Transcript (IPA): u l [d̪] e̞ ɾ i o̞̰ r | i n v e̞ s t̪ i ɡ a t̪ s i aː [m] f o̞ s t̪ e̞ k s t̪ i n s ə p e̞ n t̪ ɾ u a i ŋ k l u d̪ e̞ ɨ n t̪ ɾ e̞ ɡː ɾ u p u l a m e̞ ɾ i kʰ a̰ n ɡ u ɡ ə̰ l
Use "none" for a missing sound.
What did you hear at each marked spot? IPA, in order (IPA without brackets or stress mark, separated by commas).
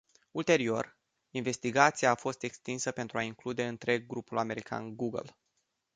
t̪, none